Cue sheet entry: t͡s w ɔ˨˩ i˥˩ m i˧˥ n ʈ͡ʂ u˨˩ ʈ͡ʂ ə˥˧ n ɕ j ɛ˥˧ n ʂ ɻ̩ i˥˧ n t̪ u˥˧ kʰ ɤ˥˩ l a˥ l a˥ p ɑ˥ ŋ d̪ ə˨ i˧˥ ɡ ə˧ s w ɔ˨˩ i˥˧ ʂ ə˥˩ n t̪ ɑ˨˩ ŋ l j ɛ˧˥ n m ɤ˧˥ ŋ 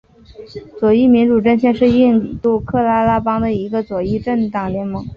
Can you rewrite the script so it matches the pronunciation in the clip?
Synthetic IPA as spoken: t͡s w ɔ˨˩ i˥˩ m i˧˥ n ʈ͡ʂ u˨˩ ʈ͡ʂ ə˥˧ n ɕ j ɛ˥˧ n ʂ ɻ̩ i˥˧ n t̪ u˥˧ kʰ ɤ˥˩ l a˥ l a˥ p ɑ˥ ŋ d̪ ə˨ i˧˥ ɡ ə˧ t͡s w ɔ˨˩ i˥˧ ʈ͡ʂ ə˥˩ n t̪ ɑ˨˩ ŋ l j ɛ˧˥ n m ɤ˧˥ ŋ